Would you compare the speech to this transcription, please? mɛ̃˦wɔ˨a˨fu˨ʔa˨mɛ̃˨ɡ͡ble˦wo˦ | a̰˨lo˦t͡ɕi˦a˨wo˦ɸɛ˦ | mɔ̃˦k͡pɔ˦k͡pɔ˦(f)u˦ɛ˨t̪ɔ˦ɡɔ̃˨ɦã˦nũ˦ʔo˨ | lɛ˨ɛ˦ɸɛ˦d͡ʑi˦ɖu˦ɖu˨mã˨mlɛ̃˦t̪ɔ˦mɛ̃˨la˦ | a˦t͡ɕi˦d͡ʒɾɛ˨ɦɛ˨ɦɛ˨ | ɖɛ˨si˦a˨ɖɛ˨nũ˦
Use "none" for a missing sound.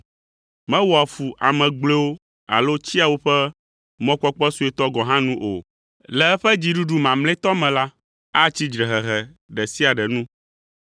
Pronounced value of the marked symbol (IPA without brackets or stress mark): s